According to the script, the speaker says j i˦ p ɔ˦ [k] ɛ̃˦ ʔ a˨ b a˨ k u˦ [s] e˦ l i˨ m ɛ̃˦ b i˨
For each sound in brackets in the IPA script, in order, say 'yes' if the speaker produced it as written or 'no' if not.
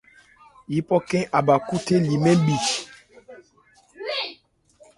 yes, no

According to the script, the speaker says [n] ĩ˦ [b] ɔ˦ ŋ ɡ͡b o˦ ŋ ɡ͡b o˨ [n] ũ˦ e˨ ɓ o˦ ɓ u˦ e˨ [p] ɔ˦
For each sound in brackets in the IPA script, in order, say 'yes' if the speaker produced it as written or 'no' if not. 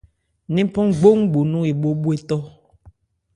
yes, no, yes, no

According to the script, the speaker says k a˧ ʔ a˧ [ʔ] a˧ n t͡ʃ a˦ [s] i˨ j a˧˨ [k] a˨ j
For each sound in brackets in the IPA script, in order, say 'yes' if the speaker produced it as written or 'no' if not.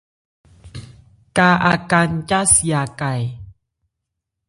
no, yes, yes

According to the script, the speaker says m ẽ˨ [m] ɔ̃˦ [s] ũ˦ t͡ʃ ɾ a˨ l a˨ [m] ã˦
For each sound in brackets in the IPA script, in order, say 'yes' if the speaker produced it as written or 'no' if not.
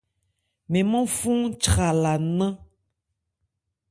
yes, no, no

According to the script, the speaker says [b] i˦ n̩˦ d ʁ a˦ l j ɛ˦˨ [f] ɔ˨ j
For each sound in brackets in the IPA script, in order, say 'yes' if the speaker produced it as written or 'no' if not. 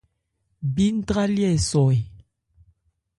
yes, no

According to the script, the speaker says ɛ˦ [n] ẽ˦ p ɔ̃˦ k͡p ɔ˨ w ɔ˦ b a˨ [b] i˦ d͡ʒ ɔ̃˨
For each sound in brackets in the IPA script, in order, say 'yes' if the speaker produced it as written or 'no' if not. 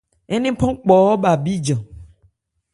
yes, yes

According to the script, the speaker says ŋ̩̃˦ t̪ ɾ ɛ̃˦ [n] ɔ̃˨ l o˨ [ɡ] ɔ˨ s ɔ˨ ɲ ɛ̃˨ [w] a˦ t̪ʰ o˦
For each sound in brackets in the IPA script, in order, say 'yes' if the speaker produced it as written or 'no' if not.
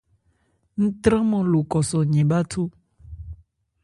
no, no, no

